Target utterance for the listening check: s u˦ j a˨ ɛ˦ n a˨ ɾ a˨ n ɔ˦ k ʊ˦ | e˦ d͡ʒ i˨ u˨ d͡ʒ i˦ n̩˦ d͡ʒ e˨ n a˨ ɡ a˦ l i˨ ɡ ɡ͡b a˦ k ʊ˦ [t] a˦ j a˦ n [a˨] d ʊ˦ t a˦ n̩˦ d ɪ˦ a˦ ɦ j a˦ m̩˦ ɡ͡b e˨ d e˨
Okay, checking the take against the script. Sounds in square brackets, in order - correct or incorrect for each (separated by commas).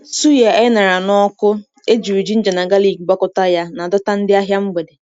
correct, correct